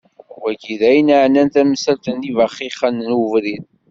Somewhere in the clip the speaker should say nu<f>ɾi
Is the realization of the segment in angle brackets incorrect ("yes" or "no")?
yes